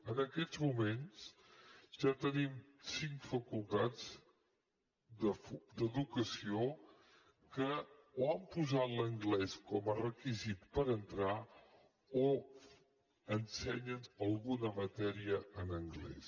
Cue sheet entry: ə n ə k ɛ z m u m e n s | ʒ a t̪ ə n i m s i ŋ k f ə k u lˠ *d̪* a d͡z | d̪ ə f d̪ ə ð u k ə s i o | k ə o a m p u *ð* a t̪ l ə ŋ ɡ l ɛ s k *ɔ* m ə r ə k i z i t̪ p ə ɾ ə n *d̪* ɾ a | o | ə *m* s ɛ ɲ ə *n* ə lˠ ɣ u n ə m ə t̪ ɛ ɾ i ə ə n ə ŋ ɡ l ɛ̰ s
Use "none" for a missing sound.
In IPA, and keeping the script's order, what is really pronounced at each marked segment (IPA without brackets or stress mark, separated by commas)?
t̪, z, ɔ, t̪, n, n